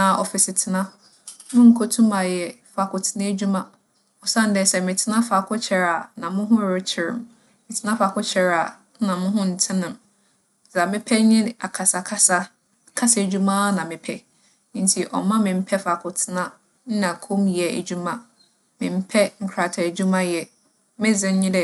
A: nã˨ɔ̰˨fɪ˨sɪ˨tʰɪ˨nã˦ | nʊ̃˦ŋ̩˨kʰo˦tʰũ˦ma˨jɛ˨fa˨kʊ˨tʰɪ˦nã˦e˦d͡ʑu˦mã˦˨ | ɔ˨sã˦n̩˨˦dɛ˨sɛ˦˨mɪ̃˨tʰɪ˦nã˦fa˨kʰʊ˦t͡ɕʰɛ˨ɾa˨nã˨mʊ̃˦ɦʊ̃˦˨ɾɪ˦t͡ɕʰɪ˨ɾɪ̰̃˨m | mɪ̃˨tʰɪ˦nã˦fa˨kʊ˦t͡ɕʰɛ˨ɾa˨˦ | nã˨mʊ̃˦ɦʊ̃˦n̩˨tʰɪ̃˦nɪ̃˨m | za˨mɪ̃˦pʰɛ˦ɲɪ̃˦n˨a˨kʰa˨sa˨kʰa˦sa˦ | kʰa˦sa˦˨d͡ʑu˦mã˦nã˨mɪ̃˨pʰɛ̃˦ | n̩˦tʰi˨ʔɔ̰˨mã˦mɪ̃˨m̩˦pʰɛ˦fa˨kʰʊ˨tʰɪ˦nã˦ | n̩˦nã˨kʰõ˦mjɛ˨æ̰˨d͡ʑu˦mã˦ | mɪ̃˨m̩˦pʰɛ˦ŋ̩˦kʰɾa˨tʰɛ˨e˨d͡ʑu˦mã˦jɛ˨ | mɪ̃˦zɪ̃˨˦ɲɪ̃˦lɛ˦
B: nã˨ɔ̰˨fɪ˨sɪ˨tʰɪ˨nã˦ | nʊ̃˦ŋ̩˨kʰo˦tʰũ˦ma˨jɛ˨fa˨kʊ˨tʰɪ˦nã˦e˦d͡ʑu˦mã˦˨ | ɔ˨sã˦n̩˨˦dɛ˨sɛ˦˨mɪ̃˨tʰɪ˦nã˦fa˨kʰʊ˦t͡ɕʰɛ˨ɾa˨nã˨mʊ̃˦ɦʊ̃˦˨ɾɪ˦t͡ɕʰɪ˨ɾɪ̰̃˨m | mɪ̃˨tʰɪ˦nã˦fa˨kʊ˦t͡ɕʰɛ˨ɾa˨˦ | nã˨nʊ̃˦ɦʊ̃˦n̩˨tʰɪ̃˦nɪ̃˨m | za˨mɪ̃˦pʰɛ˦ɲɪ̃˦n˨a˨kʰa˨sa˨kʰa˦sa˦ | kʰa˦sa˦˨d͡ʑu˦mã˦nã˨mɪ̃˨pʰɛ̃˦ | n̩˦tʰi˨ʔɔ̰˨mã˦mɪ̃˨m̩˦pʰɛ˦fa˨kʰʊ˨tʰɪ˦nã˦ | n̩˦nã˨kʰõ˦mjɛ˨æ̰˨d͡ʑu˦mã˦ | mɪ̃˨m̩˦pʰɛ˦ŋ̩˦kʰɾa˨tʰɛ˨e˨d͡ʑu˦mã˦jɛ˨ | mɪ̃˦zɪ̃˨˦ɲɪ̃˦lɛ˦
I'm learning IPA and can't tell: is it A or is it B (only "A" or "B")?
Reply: A